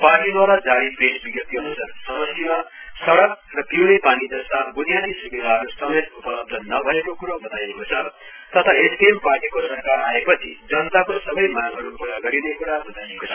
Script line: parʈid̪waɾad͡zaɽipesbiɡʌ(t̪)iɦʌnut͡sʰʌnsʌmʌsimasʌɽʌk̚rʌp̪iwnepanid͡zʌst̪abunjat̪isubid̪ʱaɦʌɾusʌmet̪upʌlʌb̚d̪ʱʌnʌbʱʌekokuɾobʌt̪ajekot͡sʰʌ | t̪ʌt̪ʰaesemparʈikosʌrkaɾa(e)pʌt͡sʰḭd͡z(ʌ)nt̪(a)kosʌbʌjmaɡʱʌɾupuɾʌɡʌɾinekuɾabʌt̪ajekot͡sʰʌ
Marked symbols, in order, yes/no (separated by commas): yes, yes, yes, yes